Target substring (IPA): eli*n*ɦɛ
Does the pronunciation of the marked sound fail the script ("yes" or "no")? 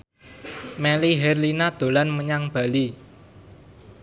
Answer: yes